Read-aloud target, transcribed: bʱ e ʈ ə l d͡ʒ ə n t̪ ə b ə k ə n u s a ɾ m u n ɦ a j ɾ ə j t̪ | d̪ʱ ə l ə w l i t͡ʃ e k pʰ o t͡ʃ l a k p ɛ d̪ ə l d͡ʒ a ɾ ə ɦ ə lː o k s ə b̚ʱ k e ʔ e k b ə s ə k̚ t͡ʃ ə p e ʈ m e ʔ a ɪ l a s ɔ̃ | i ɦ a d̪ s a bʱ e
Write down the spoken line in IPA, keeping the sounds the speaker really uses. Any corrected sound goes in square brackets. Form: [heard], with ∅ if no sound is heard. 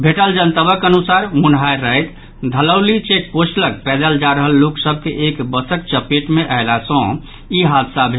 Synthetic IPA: bʱ e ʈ ə l d͡ʒ ə n t̪ ə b ə k ə n u s a ɾ m u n ɦ a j ɾ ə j t̪ | d̪ʱ ə l ə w l i t͡ʃ e k [p] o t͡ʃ l [ə] k p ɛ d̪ ə l d͡ʒ a ɾ ə ɦ ə lː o k s ə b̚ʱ k e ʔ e k b ə s ə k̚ t͡ʃ ə p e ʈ m e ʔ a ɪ l a s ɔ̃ | i ɦ a d̪ s a bʱ e